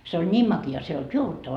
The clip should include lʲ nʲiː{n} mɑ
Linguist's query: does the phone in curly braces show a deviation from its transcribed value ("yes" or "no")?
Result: yes